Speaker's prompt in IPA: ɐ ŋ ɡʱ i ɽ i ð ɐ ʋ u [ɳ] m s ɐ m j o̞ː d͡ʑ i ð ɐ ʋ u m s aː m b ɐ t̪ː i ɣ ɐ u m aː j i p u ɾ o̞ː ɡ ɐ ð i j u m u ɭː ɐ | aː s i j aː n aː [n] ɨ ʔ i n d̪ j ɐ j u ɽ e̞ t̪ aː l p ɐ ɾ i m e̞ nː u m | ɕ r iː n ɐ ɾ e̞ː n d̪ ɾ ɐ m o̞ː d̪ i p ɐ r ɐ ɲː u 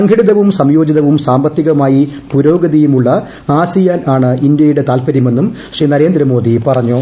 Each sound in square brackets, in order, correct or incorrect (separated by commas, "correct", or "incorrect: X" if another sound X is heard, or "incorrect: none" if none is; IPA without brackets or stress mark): incorrect: none, incorrect: ɳ